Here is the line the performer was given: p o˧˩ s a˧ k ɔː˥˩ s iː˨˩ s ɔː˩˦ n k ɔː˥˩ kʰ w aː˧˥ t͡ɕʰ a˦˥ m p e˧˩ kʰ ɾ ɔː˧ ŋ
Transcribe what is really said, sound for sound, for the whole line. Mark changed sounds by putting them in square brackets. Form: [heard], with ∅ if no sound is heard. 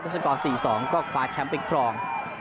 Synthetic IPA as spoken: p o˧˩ s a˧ k [ɔː˨˩] s iː˨˩ s ɔː˩˦ [ŋ] k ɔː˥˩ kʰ w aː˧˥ t͡ɕʰ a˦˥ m p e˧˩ kʰ ɾ ɔː˧ ŋ